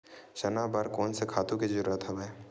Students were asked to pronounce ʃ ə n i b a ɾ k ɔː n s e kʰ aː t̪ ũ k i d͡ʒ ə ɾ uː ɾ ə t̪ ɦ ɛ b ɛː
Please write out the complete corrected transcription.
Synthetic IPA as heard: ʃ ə n a b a ɾ k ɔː n s e kʰ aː t̪ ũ k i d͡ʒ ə ɾ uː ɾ ə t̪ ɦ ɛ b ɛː

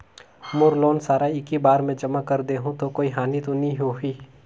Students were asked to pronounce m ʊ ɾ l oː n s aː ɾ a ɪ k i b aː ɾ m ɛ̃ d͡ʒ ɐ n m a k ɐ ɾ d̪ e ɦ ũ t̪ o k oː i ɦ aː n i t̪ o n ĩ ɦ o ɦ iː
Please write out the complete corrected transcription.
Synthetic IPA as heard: m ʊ ɾ l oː n s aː ɾ a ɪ k i b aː ɾ m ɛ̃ d͡ʒ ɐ m a k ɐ ɾ d̪ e ɦ ũ t̪ o k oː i ɦ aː n i t̪ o n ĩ ɦ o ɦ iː

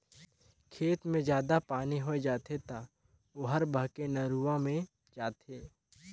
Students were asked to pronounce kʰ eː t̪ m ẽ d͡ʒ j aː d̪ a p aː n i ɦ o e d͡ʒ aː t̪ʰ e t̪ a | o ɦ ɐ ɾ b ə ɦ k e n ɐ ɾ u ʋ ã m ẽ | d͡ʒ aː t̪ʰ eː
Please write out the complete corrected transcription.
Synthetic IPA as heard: kʰ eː t̪ m ẽ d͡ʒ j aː d̪ a p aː n i ɦ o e d͡ʒ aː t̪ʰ e t̪ a | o ɦ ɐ ɾ b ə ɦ k e n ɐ ɾ u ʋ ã m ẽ | d͡ʒ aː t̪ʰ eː

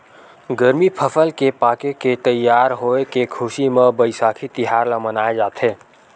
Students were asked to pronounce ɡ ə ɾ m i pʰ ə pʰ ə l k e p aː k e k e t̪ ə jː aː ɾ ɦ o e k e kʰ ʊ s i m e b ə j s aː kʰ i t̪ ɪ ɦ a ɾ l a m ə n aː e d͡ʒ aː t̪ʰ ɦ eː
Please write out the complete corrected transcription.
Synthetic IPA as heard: ɡ ə ɾ m i pʰ ə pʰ ə l k e p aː k e k e t̪ ə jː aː ɾ ɦ o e k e kʰ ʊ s i m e b ə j s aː kʰ i t̪ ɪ ɦ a ɾ l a m ə n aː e d͡ʒ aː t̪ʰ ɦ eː

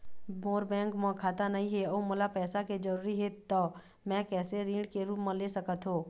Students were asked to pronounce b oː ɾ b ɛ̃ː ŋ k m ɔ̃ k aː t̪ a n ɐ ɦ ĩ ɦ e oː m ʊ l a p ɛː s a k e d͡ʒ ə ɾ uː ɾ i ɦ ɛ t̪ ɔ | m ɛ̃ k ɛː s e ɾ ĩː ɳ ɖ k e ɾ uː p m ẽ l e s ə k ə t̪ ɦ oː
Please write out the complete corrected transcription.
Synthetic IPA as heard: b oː ɾ b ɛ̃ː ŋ k m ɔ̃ kʰ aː t̪ a n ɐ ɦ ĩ ɦ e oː m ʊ l a p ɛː s a k e d͡ʒ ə ɾ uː ɾ i ɦ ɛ t̪ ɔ | m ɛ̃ k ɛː s e ɾ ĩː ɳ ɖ k e ɾ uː p m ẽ l e s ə k ə t̪ ɦ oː

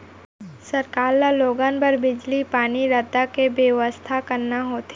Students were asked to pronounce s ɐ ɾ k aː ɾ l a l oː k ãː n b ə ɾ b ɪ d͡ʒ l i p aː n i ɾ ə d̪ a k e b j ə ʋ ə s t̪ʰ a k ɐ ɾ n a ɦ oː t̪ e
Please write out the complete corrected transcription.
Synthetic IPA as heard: s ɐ ɾ k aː ɾ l a l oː ɡ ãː n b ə ɾ b ɪ d͡ʒ l i p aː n i ɾ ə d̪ a k e b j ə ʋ ə s t̪ʰ a k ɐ ɾ n a ɦ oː t̪ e

